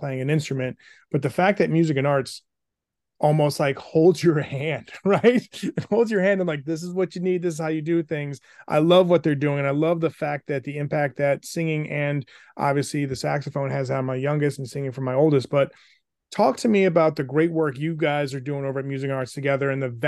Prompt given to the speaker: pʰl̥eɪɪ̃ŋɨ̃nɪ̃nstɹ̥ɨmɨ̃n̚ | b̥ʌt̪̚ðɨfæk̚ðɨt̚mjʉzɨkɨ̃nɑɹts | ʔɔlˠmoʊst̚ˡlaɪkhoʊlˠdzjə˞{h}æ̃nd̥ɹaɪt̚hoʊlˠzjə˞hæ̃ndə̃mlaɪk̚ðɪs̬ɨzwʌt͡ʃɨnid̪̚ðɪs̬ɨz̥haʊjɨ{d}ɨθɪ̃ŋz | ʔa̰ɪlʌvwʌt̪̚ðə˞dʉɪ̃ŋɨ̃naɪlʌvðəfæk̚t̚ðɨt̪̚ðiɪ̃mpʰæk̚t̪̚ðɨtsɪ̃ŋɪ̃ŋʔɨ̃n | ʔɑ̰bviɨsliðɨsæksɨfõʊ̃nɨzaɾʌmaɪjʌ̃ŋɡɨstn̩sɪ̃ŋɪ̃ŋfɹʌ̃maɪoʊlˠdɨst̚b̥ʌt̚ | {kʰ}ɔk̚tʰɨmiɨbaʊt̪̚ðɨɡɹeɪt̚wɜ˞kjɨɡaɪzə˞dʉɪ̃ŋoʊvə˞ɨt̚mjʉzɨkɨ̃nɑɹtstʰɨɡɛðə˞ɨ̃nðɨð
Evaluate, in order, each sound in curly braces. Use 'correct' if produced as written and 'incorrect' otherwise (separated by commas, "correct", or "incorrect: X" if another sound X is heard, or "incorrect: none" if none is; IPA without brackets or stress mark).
correct, correct, incorrect: tʰ